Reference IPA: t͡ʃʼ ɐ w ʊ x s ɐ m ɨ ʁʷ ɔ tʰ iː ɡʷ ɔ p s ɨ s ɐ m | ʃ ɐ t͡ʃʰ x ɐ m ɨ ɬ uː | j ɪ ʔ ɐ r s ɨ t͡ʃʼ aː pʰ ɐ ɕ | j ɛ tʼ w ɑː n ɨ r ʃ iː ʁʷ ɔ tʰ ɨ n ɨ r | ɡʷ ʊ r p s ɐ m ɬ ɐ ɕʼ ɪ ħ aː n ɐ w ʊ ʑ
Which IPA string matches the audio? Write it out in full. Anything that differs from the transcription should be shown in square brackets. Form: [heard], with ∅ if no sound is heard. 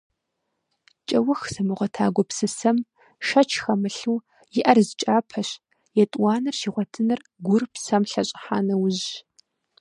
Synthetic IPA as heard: t͡ʃʼ ɐ w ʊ x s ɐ m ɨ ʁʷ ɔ tʰ [aː] ɡʷ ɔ p s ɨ s ɐ m | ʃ ɐ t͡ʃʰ x ɐ m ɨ ɬ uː | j ɪ ʔ ɐ r [z] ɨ t͡ʃʼ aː pʰ ɐ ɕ | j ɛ tʼ w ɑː n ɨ r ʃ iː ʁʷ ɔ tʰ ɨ n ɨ r | ɡʷ ʊ r p s ɐ m ɬ ɐ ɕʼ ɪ ħ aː n ɐ w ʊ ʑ